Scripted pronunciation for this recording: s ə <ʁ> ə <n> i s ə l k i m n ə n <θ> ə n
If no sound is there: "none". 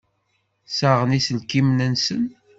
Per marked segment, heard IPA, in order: ʁ, n, s

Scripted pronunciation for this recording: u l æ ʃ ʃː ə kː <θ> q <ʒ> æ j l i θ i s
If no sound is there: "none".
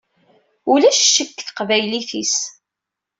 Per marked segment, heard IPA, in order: θ, v

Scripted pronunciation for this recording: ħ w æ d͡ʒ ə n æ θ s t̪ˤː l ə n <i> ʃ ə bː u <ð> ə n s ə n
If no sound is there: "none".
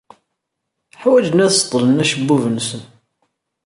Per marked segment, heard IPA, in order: æ, v

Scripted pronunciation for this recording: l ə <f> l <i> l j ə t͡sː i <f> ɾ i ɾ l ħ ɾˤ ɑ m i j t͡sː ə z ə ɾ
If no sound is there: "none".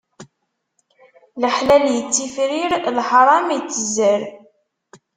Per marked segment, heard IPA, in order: ħ, æ, f

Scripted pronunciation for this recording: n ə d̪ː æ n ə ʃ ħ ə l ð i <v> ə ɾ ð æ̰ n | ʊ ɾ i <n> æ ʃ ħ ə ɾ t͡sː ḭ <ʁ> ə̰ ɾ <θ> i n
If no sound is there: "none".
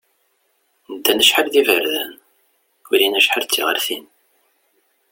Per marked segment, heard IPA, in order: v, n, ʁ, θ

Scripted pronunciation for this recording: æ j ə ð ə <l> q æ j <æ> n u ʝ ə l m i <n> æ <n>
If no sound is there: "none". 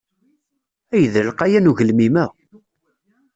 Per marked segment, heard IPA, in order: l, æ, m, none

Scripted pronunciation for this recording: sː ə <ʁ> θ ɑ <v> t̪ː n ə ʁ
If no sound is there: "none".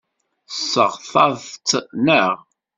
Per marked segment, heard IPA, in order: ʁ, ð

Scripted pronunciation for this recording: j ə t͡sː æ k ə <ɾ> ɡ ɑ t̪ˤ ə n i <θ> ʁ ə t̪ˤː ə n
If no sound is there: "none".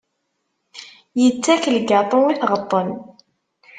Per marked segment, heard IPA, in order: l, θ

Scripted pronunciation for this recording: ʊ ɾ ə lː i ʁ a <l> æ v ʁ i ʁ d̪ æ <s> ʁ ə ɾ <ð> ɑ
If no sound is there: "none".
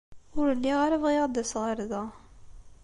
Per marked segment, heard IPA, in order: ɾ, s, ð

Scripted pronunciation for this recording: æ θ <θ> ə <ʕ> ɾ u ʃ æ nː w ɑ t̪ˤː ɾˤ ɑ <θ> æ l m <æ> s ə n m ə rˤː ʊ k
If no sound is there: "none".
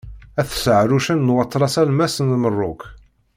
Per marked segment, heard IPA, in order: s, ʕ, s, æ

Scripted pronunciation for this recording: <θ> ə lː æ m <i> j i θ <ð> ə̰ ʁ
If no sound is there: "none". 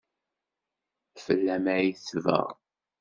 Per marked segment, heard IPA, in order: f, æ, v

